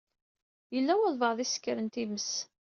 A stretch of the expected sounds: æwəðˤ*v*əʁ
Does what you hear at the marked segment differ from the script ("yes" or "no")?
no